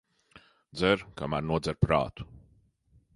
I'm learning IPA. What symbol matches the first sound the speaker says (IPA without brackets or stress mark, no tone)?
d̪